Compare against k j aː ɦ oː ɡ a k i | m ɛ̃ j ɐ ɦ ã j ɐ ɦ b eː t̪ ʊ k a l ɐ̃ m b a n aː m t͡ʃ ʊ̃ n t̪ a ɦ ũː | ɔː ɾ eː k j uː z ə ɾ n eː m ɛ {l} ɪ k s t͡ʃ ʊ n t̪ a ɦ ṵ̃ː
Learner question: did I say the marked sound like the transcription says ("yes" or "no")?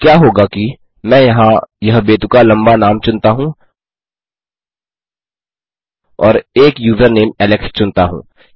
yes